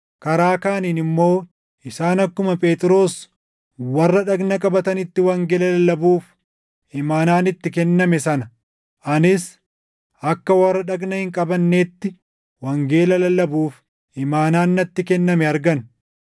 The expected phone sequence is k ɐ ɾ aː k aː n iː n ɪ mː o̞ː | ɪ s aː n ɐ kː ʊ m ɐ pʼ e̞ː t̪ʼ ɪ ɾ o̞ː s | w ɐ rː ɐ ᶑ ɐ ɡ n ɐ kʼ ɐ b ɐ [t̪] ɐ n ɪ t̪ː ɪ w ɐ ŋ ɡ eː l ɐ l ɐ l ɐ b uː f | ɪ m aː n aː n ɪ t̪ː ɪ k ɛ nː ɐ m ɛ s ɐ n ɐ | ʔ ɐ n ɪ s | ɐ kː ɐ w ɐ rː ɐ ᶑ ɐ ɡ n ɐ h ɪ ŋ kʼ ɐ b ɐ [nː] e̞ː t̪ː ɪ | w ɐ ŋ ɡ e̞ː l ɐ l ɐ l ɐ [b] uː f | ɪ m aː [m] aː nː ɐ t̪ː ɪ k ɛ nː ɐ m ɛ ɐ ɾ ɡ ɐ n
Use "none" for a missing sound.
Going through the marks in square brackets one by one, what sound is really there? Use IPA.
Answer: t̪, nː, b, n

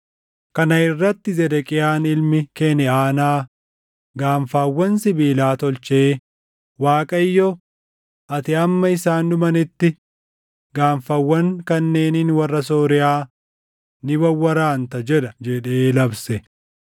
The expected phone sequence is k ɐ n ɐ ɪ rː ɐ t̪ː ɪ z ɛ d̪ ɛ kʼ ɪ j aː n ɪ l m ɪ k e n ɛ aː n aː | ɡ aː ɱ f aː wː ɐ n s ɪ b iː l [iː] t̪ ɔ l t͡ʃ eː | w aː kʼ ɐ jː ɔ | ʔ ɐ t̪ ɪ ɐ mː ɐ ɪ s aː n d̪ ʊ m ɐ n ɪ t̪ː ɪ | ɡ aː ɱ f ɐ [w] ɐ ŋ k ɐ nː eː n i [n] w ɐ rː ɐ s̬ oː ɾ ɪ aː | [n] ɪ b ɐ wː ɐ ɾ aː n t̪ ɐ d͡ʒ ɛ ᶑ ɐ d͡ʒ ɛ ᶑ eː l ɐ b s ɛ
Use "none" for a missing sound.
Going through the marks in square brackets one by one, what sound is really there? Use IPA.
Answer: aː, wː, n, n

